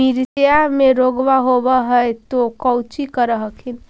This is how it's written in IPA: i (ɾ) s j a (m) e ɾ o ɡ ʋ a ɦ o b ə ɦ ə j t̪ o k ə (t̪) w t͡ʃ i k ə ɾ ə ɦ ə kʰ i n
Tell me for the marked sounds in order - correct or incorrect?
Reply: correct, correct, incorrect

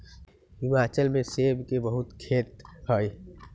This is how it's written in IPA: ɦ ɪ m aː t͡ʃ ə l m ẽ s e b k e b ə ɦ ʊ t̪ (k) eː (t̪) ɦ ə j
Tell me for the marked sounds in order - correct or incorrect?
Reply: incorrect, correct

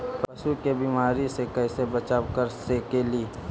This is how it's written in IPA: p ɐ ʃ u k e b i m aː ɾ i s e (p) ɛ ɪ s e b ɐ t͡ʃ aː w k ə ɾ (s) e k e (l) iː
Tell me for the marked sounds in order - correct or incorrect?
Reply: incorrect, correct, correct

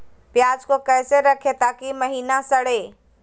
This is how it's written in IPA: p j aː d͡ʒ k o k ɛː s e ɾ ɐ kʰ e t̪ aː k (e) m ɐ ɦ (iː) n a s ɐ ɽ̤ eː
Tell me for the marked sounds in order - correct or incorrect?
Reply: incorrect, correct

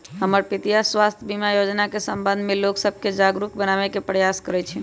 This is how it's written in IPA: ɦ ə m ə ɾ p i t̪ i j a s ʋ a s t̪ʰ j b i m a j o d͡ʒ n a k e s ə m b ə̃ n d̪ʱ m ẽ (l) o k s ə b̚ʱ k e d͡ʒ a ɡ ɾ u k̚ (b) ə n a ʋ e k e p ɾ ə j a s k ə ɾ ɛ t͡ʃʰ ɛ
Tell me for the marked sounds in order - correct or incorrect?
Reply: correct, correct

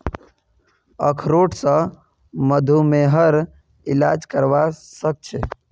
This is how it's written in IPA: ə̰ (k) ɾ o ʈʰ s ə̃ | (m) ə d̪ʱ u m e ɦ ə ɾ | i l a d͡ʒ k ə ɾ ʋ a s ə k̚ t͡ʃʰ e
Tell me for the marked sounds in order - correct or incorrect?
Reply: incorrect, correct

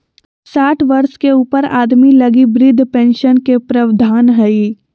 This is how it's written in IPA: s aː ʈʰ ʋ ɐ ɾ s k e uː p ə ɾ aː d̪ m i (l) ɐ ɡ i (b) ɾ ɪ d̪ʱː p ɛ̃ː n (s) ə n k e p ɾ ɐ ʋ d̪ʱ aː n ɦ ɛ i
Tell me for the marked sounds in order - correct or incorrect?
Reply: correct, correct, incorrect

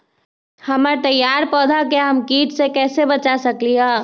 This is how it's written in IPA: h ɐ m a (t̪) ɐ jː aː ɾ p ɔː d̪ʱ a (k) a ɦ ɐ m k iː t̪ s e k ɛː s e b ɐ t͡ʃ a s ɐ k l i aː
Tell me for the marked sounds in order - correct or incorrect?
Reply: correct, correct

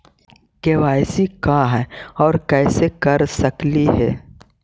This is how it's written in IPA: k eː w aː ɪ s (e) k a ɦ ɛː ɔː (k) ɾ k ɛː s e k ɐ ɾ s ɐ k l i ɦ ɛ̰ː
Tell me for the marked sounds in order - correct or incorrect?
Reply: incorrect, incorrect

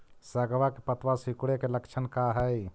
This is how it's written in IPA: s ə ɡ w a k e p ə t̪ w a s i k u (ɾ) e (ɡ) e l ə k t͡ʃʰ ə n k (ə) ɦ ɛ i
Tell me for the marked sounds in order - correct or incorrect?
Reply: incorrect, incorrect, incorrect

